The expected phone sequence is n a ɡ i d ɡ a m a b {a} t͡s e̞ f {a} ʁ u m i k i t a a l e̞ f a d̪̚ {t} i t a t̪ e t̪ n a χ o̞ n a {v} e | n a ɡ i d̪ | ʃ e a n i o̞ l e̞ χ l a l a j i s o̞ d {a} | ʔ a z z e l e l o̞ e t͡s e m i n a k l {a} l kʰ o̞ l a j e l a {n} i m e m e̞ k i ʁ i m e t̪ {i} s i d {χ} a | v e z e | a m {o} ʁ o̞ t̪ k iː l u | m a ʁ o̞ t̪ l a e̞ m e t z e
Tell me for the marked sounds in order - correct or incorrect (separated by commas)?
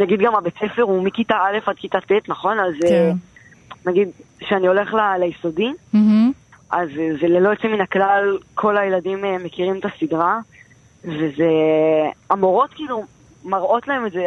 incorrect, incorrect, incorrect, incorrect, incorrect, correct, incorrect, incorrect, incorrect, correct